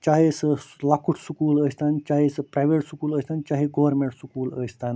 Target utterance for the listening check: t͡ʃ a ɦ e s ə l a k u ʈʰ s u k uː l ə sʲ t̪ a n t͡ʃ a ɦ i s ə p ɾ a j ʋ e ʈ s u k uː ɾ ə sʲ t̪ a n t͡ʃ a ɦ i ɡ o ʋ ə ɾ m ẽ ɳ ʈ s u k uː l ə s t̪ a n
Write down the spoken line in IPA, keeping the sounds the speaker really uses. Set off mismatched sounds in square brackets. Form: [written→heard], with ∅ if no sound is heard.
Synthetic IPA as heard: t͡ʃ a ɦ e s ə l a k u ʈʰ s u k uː l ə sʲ t̪ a n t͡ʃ a ɦ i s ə p ɾ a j ʋ e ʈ s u k uː [ɾ→l] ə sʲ t̪ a n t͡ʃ a ɦ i ɡ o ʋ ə ɾ m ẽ ɳ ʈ s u k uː l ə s t̪ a n